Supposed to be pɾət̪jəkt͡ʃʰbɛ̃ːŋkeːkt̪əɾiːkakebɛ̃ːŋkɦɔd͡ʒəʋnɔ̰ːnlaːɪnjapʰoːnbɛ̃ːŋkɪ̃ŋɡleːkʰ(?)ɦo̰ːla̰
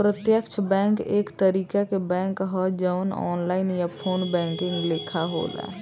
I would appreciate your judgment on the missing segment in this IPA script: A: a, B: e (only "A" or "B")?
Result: A